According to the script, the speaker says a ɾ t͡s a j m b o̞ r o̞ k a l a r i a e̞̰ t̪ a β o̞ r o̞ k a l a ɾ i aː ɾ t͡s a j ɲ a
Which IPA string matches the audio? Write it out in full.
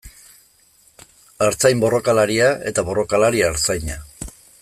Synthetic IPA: a ɾ t͡s a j m b o̞ r o̞ k a l a ɾ i a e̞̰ t̪ a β o̞ r o̞ k a l a ɾ i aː ɾ t͡s a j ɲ a